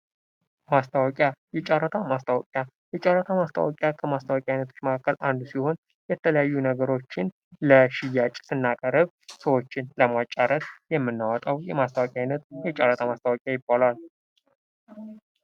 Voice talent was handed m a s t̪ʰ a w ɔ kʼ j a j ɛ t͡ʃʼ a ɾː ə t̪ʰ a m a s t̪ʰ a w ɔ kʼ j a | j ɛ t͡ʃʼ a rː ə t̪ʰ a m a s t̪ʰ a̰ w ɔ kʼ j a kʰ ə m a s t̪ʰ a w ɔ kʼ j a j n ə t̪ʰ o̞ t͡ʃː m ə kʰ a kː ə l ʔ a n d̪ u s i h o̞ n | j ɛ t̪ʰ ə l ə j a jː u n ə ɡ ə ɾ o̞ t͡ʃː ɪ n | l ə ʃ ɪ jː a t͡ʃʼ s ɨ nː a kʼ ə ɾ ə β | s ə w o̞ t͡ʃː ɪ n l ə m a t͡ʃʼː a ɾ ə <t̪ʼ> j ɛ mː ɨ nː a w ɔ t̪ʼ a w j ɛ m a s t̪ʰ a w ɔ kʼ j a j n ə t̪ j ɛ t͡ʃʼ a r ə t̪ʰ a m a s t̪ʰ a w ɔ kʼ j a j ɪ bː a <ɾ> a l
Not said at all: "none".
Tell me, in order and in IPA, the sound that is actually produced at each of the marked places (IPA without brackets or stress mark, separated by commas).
t̪, l